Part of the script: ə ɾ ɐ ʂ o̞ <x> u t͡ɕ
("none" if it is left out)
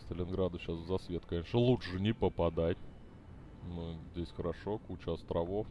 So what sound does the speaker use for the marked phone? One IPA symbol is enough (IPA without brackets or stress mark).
k